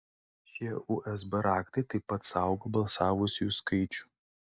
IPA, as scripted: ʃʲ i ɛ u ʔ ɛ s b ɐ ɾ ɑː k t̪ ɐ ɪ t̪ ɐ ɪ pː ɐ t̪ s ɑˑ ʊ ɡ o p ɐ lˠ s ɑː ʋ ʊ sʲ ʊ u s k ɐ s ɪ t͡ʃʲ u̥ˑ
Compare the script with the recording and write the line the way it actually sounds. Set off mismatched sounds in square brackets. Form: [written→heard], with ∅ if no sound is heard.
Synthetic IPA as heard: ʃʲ i ɛ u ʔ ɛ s b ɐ ɾ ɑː k t̪ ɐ ɪ t̪ ɐ ɪ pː ɐ t̪ s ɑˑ ʊ ɡ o [p→b] ɐ lˠ s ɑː ʋ ʊ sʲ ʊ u s k ɐ [s→∅] ɪ t͡ʃʲ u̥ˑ